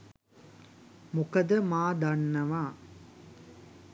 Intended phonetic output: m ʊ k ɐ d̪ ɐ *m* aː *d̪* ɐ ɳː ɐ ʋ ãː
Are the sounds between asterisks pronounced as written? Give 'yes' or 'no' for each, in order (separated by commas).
yes, yes